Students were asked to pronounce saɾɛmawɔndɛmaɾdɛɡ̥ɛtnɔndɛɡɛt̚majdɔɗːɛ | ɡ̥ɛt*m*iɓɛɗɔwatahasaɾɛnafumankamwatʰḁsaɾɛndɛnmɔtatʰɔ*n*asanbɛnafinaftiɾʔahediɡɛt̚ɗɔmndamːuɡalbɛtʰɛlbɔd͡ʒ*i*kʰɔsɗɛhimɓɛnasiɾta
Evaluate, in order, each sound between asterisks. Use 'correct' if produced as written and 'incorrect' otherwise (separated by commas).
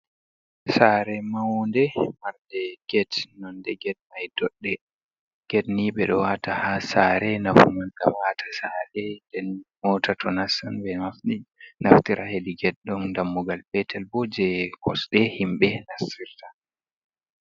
incorrect, correct, incorrect